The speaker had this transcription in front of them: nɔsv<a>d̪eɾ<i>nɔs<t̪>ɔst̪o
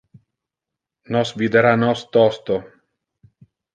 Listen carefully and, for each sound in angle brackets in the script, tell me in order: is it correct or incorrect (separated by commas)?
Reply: incorrect, incorrect, correct